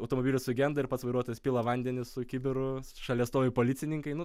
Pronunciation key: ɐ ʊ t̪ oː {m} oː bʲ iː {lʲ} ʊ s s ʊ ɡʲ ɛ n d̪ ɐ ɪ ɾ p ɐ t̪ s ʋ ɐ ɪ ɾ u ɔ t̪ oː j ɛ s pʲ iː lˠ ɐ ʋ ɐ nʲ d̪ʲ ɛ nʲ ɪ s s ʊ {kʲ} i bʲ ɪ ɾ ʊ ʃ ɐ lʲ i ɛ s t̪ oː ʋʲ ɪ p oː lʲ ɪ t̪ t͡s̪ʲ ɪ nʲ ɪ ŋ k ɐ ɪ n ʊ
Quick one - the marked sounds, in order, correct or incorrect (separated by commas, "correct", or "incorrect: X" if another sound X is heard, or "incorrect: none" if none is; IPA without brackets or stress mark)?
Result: correct, correct, correct